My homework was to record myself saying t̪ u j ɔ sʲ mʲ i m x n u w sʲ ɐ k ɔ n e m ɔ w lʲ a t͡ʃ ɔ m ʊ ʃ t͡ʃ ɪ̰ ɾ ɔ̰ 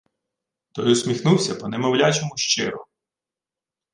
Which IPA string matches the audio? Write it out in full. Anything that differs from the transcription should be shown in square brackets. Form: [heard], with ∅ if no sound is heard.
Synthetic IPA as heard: t̪ [ɔ] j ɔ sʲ mʲ i [∅] x n u w sʲ ɐ [p] ɔ n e m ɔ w lʲ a t͡ʃ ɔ m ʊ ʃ t͡ʃ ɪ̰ ɾ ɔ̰